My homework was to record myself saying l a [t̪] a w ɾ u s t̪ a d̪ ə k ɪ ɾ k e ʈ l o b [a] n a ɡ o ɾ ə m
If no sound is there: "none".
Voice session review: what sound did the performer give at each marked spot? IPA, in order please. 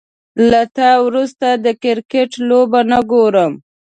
t̪, a

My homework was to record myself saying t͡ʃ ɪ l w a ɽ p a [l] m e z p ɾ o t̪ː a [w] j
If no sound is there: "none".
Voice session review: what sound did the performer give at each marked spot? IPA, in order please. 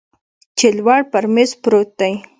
ɾ, none

